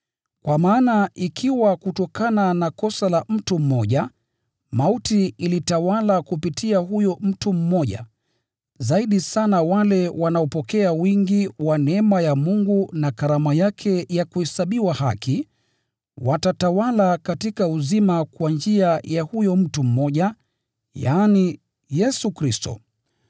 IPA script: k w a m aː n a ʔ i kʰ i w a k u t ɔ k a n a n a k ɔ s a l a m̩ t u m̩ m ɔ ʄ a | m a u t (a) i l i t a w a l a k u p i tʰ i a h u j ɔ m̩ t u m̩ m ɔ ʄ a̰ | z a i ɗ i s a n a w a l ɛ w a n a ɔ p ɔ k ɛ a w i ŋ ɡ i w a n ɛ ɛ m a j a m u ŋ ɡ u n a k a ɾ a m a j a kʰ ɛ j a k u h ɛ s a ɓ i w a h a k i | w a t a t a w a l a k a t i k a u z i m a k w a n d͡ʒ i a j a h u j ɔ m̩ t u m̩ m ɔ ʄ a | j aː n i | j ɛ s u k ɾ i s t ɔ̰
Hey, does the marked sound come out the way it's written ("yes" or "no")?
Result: no